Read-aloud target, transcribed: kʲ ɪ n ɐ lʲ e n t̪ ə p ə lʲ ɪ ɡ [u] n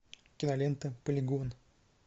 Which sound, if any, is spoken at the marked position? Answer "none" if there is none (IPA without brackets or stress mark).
o